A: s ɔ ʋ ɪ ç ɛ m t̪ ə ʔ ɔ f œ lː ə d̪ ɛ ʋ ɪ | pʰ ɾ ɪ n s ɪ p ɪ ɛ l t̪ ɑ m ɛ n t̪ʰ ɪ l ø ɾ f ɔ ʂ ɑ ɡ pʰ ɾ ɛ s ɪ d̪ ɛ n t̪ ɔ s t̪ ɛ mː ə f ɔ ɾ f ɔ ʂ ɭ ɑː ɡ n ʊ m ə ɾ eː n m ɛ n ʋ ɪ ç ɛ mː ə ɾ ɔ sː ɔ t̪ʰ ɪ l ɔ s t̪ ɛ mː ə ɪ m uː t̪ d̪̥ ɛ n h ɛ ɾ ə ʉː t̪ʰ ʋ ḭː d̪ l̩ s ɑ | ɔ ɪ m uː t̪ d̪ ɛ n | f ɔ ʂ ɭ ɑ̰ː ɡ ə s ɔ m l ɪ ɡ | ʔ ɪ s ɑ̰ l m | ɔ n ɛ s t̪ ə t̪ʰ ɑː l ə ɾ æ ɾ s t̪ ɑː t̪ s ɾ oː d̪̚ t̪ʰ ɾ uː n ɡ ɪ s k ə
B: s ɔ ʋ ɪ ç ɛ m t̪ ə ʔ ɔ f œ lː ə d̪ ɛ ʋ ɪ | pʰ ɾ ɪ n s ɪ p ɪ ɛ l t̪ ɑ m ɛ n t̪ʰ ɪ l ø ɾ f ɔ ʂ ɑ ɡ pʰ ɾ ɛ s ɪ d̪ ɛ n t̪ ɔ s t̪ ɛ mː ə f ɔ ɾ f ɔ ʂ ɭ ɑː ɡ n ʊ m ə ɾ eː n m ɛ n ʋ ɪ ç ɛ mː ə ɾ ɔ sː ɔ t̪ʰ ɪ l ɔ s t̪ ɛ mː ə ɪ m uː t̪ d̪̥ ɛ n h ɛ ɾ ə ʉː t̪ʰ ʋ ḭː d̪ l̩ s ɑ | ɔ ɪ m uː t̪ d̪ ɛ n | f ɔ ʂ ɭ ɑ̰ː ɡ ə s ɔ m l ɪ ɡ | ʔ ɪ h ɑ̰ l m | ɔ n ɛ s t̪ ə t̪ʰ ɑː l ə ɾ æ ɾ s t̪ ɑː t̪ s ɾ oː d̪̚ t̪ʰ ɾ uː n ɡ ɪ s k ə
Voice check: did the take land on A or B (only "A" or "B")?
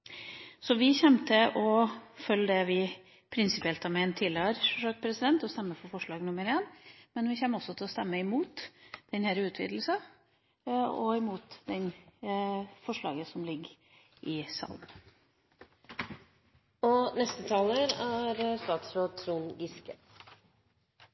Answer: A